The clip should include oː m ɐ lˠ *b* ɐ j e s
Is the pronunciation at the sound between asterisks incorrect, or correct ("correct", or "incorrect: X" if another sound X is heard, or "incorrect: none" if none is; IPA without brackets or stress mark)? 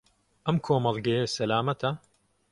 incorrect: ɡ